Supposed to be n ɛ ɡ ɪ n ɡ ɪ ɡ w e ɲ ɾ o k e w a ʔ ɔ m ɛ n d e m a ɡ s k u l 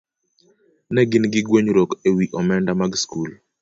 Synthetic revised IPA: n ɛ ɡ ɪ n ɡ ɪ ɡ w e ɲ ɾ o k e w i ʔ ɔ m ɛ n d a m a ɡ s k u l